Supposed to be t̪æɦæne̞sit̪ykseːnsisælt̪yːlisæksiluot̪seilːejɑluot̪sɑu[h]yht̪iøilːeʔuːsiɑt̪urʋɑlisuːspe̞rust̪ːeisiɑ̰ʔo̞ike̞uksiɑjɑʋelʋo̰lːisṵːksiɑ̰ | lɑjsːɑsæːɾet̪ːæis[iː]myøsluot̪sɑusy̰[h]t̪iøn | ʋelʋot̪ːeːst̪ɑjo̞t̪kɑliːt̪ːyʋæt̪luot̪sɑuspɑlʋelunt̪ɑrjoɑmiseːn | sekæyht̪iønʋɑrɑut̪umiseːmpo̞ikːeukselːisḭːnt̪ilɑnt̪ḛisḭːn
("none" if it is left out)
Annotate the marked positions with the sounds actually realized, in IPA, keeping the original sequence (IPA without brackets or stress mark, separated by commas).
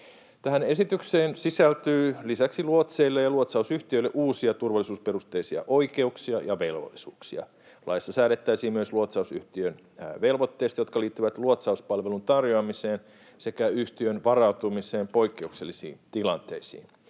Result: s, iː, h